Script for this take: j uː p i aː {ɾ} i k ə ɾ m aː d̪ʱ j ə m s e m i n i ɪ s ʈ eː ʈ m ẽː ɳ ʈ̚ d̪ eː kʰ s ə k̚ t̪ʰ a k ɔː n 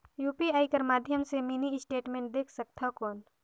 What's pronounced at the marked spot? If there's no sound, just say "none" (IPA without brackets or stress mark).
none